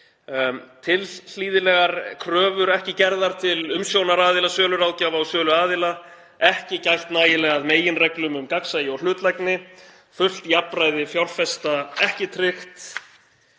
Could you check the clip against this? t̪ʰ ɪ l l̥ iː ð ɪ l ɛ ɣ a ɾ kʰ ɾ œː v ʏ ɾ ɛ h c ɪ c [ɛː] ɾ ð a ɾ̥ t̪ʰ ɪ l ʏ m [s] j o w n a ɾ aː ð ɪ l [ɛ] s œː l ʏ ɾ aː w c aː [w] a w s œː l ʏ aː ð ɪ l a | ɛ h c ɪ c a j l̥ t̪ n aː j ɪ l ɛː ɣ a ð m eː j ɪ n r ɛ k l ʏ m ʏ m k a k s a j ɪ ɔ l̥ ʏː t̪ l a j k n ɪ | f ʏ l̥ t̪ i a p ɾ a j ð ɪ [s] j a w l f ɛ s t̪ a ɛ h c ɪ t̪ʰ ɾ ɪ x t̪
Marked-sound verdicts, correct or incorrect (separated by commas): incorrect, correct, incorrect, incorrect, incorrect